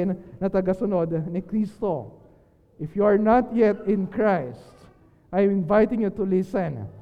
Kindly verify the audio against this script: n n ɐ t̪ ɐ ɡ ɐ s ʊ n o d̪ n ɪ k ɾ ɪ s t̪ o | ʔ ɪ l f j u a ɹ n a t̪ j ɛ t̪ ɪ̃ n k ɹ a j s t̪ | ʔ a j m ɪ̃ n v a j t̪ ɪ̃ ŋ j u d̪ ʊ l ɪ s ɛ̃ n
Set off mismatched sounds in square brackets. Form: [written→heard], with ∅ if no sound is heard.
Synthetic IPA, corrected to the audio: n n ɐ t̪ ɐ ɡ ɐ s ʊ n o d̪ n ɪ k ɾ [ɪ→i] s t̪ o | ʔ ɪ [l→∅] f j u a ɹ n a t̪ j ɛ t̪ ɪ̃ n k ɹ a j s t̪ | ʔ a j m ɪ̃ n v a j t̪ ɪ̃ ŋ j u [d̪→t̪] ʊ l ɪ s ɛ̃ n